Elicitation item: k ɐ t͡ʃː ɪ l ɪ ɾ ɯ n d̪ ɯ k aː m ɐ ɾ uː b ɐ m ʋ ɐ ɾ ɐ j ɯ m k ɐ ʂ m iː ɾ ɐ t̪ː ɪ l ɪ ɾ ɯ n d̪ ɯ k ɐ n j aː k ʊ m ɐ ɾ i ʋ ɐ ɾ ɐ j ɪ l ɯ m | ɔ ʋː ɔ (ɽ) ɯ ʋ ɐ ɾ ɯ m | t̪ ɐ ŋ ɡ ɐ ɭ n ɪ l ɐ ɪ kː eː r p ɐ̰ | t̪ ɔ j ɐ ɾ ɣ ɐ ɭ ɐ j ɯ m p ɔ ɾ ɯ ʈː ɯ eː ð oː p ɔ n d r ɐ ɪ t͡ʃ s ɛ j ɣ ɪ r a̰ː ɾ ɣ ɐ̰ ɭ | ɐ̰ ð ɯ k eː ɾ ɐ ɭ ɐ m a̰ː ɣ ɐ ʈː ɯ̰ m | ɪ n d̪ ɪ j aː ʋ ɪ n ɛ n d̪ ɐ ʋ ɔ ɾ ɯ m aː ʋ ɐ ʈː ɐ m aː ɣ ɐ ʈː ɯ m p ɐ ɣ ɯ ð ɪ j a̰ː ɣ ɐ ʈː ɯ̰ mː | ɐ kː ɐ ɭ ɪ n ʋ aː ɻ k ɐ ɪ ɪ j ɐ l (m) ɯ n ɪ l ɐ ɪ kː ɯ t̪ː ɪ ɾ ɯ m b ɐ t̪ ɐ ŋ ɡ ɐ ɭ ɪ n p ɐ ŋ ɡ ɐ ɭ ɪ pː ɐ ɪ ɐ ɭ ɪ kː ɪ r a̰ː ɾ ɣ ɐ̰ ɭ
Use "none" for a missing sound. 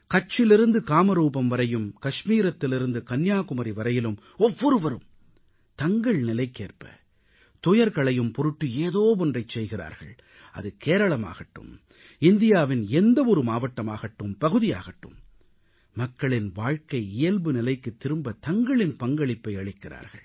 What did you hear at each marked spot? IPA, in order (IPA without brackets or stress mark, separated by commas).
ɾ, b